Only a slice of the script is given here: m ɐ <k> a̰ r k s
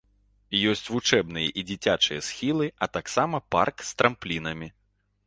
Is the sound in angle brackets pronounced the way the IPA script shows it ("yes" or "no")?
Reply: no